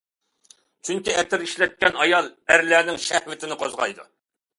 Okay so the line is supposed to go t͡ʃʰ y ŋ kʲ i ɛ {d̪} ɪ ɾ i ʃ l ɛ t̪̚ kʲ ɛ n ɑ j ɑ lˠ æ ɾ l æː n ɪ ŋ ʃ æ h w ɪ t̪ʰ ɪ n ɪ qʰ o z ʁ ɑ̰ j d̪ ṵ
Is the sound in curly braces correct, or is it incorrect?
incorrect